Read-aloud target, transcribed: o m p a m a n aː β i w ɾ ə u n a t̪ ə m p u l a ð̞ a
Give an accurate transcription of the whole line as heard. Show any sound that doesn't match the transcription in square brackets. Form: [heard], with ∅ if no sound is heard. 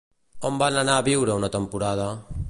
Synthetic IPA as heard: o m [b] a [n] a n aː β i w ɾ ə u n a t̪ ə m p u [ɾ] a ð̞ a